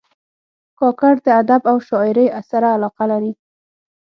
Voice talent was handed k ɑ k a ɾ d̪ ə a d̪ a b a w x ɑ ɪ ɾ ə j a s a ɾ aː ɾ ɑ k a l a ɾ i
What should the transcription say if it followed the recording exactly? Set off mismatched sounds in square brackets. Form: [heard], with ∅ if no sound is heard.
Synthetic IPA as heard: k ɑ k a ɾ d̪ ə a d̪ a b a w [ʃ] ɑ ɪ ɾ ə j a s a ɾ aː [l] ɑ [q] a l a ɾ i

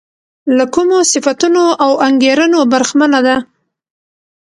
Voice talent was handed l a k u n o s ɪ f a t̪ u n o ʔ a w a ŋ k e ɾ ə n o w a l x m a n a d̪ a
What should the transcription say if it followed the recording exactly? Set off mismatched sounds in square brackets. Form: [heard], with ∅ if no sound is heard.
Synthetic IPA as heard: l a k u [m] o s ɪ f a t̪ u n o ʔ a w a ŋ [ɡ] e ɾ ə n o [b] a [ɾ] x m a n a d̪ a

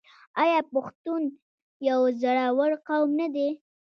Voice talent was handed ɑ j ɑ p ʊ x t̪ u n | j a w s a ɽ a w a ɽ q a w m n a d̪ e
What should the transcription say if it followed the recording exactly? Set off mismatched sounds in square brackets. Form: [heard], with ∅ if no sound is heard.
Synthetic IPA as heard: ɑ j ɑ p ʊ x t̪ u n | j a w [z] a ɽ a w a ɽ q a w m n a d̪ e

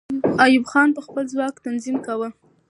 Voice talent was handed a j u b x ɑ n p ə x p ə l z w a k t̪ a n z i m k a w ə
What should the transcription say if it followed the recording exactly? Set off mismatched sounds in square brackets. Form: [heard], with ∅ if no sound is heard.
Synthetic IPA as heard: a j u b x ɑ n p ə x p ə l z w [ɑ] k t̪ a n z i m k a w ə

